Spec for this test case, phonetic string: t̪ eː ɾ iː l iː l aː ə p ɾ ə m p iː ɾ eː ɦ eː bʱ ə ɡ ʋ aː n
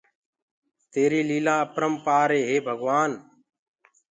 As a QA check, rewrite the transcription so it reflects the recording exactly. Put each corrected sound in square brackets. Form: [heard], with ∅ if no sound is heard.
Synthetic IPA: t̪ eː ɾ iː l iː l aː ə p ɾ ə m p [aː] ɾ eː ɦ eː bʱ ə ɡ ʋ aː n